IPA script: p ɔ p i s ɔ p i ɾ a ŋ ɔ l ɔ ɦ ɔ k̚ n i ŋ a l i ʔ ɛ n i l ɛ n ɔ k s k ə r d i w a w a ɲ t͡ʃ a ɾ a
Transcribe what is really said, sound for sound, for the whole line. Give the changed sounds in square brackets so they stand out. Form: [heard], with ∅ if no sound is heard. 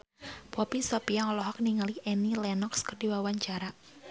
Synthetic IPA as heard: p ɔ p i s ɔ p i [∅] a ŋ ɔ l ɔ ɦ ɔ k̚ n i ŋ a l i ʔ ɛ n i l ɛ n ɔ k s k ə r d i w a w a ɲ t͡ʃ a ɾ a